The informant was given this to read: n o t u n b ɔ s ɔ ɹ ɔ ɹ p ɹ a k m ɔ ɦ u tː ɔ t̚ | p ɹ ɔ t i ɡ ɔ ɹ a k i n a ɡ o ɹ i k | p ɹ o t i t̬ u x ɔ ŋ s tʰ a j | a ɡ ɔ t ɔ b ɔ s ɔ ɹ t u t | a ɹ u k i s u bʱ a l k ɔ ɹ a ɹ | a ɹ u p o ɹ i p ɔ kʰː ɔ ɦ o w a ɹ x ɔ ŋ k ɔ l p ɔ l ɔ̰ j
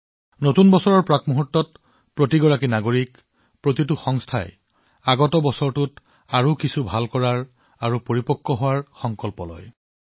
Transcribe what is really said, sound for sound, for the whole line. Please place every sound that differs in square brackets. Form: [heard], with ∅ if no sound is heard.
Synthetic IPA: n o t u n b ɔ s ɔ ɹ ɔ ɹ p ɹ a k m [u] ɦ u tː ɔ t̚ | p ɹ [o] t i ɡ ɔ ɹ a k i n a ɡ o ɹ i k | p ɹ o t i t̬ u x ɔ ŋ s tʰ a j | a ɡ ɔ t ɔ b ɔ s ɔ ɹ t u t | a ɹ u k i s u bʱ a l k ɔ ɹ a ɹ | a ɹ u p o ɹ i p ɔ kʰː ɔ ɦ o w a ɹ x ɔ ŋ k ɔ l p ɔ l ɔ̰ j